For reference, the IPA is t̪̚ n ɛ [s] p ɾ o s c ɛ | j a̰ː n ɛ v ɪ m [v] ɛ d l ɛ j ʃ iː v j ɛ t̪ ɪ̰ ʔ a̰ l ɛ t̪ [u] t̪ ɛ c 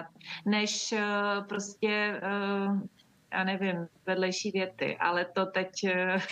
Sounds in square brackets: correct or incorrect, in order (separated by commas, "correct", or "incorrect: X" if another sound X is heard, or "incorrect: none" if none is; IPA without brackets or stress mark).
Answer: incorrect: ʃ, correct, incorrect: o